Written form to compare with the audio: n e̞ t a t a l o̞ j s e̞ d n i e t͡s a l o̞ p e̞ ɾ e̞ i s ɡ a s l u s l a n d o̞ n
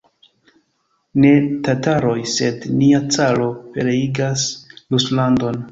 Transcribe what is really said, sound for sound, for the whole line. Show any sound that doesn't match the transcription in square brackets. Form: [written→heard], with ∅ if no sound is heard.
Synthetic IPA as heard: n e̞ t a t a [l→ɾ] o̞ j s e̞ d n i [e→a] t͡s a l o̞ p e̞ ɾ e̞ i [s→∅] ɡ a s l u s l a n d o̞ n